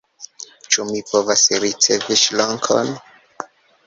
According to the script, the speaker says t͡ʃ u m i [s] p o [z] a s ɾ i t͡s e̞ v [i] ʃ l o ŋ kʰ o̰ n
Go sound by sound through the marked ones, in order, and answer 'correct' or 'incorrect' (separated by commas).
incorrect, incorrect, correct